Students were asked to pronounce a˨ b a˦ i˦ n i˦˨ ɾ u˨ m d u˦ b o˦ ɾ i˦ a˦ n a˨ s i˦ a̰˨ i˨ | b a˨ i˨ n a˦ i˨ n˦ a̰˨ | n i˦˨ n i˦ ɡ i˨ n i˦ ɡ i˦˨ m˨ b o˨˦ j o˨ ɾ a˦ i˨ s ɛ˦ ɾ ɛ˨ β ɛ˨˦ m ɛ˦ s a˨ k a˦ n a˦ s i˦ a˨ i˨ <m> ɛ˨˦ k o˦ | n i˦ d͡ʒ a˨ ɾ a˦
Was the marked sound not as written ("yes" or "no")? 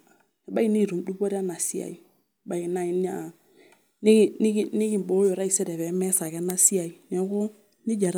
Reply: yes